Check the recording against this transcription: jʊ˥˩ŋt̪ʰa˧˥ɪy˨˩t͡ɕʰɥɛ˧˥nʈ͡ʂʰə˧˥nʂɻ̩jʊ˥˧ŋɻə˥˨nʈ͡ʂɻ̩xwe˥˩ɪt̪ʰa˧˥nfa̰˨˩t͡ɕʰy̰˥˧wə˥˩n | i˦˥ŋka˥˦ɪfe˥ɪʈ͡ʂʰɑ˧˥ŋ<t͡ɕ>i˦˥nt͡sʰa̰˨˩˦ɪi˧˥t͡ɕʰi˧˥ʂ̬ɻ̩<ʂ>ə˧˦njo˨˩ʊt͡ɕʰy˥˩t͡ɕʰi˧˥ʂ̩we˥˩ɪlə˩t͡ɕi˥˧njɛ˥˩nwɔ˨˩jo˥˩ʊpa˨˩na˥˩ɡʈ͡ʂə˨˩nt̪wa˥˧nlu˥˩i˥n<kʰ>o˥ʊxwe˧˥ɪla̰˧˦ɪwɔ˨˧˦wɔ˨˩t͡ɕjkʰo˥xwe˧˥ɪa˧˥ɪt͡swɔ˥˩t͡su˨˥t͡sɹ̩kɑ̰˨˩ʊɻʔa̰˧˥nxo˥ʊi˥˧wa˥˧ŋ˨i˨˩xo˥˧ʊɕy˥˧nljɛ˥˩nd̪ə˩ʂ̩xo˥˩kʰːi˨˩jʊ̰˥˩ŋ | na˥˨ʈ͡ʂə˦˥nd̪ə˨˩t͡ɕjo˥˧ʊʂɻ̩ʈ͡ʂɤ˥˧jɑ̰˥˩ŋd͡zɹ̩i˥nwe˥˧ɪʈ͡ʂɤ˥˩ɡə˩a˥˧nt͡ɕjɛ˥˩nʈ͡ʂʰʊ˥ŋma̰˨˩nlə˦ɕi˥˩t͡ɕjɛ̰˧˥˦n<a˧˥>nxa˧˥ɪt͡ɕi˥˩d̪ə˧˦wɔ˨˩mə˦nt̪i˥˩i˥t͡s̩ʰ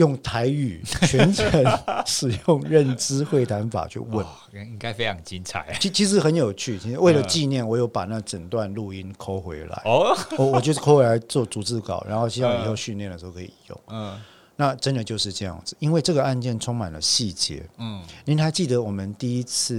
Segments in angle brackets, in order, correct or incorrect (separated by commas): correct, incorrect, correct, incorrect